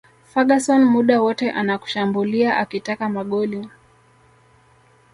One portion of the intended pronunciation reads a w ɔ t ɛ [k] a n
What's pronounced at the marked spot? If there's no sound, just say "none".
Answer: ʔ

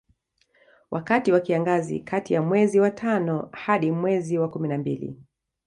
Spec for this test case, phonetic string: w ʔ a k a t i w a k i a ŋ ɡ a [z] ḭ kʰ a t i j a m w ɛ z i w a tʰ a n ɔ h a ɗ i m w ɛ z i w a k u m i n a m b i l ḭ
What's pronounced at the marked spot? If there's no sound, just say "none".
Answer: z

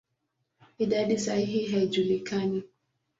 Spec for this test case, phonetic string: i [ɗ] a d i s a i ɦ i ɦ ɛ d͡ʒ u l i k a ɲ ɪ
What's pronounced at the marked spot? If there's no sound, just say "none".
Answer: d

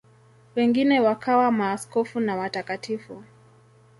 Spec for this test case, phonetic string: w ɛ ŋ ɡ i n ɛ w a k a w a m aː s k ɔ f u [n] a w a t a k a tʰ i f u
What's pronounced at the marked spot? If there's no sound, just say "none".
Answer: n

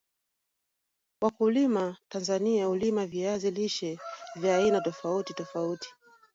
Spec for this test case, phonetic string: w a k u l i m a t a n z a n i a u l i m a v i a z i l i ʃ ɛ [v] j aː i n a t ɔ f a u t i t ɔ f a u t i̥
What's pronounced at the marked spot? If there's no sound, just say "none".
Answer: v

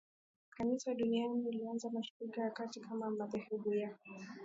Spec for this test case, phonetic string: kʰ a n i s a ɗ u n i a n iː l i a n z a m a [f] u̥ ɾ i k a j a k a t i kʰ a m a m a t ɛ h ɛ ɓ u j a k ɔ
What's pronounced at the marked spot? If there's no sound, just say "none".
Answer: ʃ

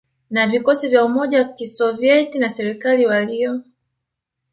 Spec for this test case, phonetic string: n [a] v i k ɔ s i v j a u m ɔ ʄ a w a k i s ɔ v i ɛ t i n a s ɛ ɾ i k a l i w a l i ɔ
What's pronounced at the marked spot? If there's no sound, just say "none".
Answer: a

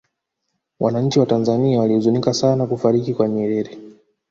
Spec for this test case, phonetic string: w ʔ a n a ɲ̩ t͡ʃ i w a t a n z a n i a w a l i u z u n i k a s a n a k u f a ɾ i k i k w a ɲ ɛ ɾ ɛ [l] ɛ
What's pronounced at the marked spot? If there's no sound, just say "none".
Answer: ɾ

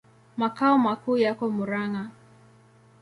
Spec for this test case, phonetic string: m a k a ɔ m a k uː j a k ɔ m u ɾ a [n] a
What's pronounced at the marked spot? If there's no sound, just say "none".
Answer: ŋ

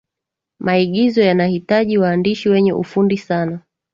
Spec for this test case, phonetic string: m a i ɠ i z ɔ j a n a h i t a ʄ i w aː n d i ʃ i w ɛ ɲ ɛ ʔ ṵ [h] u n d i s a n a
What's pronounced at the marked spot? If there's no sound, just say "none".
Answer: f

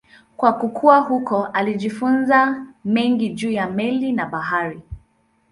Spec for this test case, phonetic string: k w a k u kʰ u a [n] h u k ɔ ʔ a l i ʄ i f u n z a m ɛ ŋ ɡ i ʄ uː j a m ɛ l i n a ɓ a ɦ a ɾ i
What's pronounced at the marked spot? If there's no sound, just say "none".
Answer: none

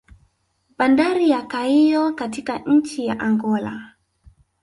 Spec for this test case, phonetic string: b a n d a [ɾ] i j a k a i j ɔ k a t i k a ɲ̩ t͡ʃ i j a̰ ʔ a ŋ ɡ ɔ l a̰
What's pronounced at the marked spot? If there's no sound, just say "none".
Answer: ɾ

